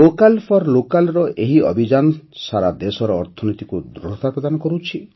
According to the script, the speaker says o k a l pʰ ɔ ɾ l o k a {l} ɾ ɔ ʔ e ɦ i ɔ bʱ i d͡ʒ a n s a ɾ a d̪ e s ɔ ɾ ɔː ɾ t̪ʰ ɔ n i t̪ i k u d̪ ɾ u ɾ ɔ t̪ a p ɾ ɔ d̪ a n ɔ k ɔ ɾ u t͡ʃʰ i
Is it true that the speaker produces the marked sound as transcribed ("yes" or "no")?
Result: yes